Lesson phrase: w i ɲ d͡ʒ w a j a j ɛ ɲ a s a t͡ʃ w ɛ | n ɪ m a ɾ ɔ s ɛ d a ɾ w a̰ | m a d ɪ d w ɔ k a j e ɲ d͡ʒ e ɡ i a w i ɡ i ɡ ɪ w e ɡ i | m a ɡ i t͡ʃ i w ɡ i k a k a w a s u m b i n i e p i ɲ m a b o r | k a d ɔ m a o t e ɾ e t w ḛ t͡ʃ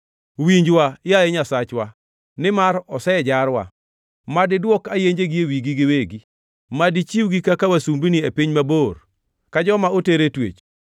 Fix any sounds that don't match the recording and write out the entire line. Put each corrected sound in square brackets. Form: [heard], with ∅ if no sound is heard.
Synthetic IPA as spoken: w i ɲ d͡ʒ w a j a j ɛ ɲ a s a t͡ʃ w [a] | n ɪ m a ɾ ɔ s ɛ [d͡ʒ] a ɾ w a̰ | m a d ɪ d w ɔ k a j e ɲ d͡ʒ e ɡ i [e] w i ɡ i ɡ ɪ w e ɡ i | m a [d] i t͡ʃ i w ɡ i k a k a w a s u m b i n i e p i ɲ m a b o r | k a [d͡ʒ] ɔ m a o t e ɾ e t w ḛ t͡ʃ